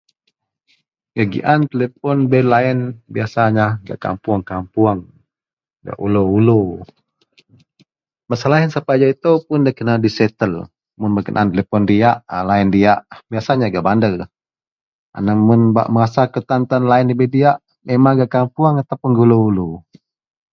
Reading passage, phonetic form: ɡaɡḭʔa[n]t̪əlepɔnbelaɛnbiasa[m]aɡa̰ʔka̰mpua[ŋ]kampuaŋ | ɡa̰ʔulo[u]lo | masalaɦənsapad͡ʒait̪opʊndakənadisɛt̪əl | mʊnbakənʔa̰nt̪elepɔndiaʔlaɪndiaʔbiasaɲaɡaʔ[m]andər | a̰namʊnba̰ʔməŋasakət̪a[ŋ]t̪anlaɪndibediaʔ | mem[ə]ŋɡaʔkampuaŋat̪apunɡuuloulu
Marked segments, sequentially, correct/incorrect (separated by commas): correct, incorrect, correct, correct, incorrect, incorrect, incorrect